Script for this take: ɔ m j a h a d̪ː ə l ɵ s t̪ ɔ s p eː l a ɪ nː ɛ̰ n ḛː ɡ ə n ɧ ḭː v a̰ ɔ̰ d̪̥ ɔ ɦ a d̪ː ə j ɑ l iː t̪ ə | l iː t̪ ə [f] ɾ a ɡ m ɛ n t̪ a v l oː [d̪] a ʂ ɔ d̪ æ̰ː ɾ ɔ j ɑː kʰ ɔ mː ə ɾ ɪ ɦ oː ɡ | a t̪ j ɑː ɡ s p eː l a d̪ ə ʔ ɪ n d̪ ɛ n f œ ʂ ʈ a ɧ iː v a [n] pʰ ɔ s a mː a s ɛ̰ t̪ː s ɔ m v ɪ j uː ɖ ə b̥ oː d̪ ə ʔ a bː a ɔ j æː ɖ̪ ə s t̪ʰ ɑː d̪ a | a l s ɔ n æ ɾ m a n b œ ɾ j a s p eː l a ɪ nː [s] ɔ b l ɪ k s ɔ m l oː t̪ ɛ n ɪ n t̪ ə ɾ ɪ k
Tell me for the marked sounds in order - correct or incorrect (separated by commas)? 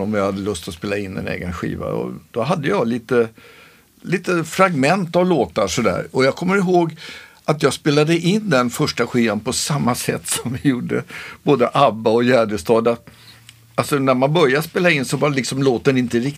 correct, incorrect, correct, correct